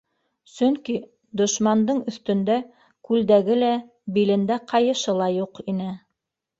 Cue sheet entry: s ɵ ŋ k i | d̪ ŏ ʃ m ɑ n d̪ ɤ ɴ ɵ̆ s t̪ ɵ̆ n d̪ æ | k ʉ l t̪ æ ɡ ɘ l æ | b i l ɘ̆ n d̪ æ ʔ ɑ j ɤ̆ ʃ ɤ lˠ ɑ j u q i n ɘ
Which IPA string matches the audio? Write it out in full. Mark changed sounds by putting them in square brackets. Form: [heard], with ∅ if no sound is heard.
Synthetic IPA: s ɵ ŋ k i | d̪ ŏ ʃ m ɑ n d̪ ɤ ɴ ɵ̆ [θ] t̪ ɵ̆ n d̪ æ | k ʉ l [d̪] æ ɡ ɘ l æ | b i l ɘ̆ n d̪ æ [q] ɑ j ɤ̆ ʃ ɤ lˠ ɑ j u q i n ɘ